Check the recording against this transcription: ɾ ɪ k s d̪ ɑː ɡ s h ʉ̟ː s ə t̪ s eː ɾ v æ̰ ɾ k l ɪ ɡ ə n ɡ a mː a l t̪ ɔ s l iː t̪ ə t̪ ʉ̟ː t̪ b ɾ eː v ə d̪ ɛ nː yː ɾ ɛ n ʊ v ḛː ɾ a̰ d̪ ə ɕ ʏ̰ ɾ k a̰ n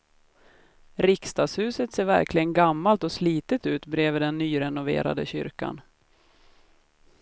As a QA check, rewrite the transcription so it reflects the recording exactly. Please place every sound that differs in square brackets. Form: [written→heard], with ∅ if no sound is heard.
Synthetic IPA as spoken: ɾ ɪ k s [d̪→t̪] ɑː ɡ s h ʉ̟ː s ə t̪ s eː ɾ v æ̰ ɾ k l ɪ ɡ ə n ɡ a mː a l t̪ ɔ s l iː t̪ ə t̪ ʉ̟ː t̪ b ɾ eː v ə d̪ ɛ nː yː ɾ ɛ n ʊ v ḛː ɾ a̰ d̪ ə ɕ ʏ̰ ɾ k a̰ n